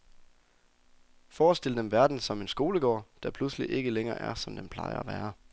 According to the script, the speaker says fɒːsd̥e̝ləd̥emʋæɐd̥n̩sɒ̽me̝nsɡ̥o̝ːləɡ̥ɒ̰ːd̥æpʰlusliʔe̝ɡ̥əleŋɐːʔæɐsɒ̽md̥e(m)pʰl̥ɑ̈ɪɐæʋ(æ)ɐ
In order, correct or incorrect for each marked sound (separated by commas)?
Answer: correct, incorrect